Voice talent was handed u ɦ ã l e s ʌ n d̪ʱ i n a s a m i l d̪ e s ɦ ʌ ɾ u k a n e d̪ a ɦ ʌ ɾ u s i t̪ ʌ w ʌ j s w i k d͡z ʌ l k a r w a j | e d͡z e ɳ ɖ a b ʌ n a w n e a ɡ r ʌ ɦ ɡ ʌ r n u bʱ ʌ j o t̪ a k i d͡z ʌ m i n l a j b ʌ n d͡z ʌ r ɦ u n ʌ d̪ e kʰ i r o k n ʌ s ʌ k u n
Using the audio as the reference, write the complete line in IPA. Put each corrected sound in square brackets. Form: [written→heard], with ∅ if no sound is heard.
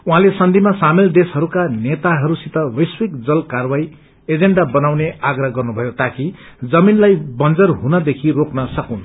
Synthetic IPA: u ɦ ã l e s ʌ n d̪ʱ i [n→m] a s a m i l d̪ e s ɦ ʌ ɾ u k a n e [d̪→t̪] a ɦ ʌ ɾ u s i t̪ ʌ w ʌ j s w i k d͡z ʌ l k a r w a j | e d͡z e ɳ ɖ a b ʌ n a w n e a ɡ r ʌ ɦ ɡ ʌ r n u bʱ ʌ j o t̪ a k i d͡z ʌ m i n l a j b ʌ n d͡z ʌ r ɦ u n ʌ d̪ e kʰ i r o k n ʌ s ʌ k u n